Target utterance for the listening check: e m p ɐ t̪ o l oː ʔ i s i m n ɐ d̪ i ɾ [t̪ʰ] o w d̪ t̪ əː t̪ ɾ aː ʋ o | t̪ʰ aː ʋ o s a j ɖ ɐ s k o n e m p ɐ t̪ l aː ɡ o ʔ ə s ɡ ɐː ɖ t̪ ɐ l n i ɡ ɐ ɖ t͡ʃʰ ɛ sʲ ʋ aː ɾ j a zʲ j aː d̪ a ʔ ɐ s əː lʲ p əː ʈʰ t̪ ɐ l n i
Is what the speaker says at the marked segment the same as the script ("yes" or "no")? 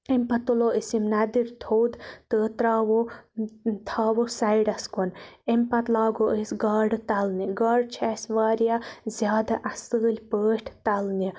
yes